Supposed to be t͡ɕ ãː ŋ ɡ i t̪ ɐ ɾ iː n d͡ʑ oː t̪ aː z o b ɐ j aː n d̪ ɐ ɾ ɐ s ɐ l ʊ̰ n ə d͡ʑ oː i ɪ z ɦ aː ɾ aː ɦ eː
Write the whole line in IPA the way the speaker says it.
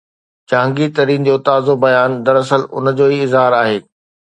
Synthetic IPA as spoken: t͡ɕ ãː ŋ ɡ i t̪ ɐ ɾ iː n d͡ʑ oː t̪ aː z o b ɐ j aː n d̪ ɐ ɾ ɐ s ə l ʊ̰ n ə d͡ʑ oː i ɪ z ɦ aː ɾ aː ɦ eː